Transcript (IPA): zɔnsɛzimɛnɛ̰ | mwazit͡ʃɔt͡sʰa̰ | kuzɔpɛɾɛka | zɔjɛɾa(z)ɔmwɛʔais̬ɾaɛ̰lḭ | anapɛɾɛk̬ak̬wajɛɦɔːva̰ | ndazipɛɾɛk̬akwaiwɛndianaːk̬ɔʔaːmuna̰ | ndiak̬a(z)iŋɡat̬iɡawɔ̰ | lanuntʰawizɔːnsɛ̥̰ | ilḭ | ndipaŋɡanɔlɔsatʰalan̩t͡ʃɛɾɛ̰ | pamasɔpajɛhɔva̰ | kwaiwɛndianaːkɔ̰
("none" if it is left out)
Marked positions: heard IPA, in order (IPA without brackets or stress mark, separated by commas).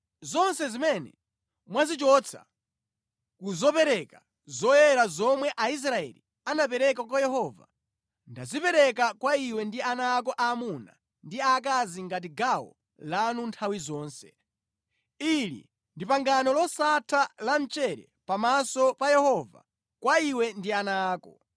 z, z